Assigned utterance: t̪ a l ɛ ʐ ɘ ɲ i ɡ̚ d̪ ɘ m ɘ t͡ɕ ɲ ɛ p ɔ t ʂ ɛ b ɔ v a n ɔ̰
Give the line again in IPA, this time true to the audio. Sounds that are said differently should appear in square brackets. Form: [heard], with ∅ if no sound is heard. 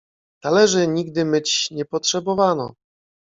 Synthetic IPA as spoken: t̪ a l ɛ ʐ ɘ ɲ i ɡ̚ d̪ ɘ m ɘ t͡ɕ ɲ ɛ p ɔ t ʂ ɛ b ɔ v a n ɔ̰